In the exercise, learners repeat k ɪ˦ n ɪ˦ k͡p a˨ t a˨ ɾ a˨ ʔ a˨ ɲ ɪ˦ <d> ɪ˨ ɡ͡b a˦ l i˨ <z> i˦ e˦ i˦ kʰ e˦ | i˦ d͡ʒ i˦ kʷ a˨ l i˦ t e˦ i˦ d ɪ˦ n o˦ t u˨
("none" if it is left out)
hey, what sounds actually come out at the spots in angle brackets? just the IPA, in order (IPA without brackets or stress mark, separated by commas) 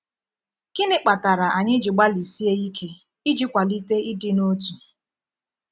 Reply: d͡ʒ, s